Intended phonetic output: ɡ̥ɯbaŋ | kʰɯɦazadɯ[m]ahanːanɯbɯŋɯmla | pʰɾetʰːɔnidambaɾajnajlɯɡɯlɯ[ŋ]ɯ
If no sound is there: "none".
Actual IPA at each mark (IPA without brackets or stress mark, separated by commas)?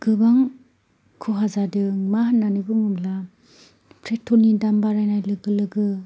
m, ɡ